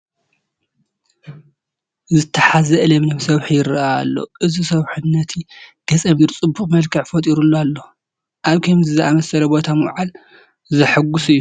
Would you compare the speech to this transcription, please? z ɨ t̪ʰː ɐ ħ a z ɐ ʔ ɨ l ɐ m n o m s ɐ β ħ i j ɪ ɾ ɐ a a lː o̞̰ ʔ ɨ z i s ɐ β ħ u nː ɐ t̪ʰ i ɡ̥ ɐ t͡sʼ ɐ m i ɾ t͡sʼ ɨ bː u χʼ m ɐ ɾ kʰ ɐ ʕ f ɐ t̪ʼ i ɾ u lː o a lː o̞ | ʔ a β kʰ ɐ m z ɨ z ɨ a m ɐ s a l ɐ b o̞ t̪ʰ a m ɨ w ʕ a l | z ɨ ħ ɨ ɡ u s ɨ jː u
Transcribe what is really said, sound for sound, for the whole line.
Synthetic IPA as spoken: z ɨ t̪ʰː ɐ ħ a z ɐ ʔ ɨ l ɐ m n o m s ɐ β ħ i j ɪ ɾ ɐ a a lː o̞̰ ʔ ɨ z i s ɐ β ħ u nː ɐ t̪ʰ i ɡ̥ ɐ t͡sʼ ɐ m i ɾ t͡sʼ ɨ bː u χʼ m ɐ l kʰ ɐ ʕ f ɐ t̪ʼ i ɾ u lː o a lː o̞ | ʔ a β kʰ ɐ m z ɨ z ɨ a m ɐ s ɐ l ɐ b o̞ t̪ʰ a m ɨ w ʕ a l | z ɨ ħ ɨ ɡ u s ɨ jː u